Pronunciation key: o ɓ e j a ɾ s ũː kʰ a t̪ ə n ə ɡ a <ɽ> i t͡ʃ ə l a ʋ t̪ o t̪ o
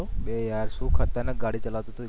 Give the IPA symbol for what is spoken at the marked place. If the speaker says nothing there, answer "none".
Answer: ɽ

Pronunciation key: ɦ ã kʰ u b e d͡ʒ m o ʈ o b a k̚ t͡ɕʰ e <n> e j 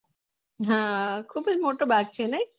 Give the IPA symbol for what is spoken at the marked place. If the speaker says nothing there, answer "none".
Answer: n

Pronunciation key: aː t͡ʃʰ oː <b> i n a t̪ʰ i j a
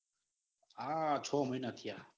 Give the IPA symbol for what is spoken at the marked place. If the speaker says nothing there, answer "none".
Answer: m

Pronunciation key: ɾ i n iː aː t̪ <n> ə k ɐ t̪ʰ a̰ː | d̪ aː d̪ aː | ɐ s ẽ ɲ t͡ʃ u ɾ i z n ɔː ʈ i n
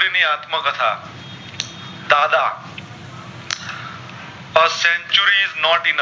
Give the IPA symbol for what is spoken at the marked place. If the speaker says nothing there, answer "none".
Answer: m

